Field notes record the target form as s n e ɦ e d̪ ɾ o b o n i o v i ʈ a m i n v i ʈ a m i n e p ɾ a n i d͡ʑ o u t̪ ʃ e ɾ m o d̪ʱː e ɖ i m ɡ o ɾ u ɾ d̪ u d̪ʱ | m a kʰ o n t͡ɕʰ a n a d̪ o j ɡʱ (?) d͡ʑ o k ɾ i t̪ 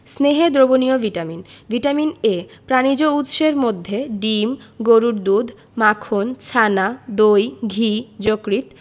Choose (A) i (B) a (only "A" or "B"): A